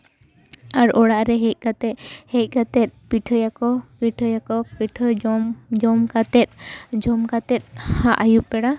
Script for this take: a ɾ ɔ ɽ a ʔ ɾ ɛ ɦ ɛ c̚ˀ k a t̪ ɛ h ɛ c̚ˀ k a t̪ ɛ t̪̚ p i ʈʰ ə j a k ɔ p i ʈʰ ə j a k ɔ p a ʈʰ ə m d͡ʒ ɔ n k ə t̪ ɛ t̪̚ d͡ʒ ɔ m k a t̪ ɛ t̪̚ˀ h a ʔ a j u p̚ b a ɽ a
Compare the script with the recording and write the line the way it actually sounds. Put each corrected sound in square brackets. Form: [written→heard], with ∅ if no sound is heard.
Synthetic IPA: a ɾ ɔ ɽ a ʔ ɾ ɛ ɦ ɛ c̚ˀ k a t̪ ɛ h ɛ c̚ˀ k a t̪ ɛ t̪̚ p i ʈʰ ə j a k ɔ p i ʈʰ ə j a k ɔ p [a→i] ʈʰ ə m d͡ʒ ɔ [n→m] k [ə→a] t̪ ɛ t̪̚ d͡ʒ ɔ m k a t̪ ɛ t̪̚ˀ h a ʔ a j u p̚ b [a→ɛ] ɽ a